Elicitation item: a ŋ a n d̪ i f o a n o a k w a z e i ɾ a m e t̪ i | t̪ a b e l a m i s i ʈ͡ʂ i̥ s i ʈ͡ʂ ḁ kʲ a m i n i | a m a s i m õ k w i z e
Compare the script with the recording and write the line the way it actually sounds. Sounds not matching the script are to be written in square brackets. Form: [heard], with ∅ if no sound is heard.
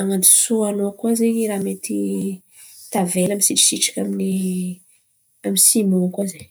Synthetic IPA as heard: a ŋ a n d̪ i [s] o a n o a k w a z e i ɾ a m e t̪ i | t̪ a [v] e l a m i s i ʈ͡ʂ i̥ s i ʈ͡ʂ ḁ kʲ a m i n i | a m [i] s i m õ k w [a] z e